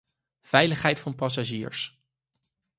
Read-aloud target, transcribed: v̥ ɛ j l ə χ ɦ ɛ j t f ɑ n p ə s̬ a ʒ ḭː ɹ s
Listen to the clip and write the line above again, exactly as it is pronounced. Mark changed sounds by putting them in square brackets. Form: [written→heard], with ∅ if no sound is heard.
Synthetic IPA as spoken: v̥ ɛ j l ə χ ɦ ɛ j t f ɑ n p [ə→ɑ] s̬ a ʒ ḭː ɹ s